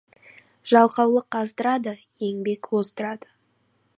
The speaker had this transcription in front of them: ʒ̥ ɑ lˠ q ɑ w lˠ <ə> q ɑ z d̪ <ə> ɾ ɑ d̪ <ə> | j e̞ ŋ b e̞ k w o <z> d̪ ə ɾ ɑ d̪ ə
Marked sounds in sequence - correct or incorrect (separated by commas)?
correct, correct, correct, correct